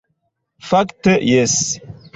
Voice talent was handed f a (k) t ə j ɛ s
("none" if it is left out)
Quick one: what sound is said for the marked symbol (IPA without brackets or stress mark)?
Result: k